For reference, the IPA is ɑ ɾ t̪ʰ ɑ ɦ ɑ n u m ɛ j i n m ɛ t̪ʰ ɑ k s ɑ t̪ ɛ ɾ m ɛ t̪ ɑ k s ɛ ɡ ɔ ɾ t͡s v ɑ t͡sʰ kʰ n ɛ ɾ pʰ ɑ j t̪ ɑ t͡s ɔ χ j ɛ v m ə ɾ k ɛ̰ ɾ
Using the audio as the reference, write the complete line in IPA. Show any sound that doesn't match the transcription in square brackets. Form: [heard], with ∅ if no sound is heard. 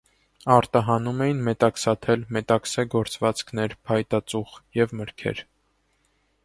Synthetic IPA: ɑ ɾ [t̪] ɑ ɦ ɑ n u m ɛ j i n m ɛ [t̪] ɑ k s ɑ [t̪ʰ] ɛ [l] m ɛ t̪ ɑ k s ɛ ɡ ɔ ɾ t͡s v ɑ [t͡s] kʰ n ɛ ɾ pʰ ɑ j t̪ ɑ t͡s [u] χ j ɛ v m ə ɾ [kʰ] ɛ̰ ɾ